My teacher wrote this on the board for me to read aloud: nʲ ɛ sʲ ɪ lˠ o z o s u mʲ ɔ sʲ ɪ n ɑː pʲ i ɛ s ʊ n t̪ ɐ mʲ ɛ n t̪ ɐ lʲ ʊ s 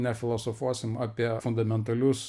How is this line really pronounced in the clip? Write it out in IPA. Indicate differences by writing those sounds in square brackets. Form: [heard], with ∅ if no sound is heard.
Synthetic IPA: nʲ ɛ [fʲ] ɪ lˠ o [s] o [f] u [∅] ɔ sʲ ɪ [m] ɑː pʲ i ɛ [f] ʊ n [d̪] ɐ mʲ ɛ n t̪ ɐ lʲ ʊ s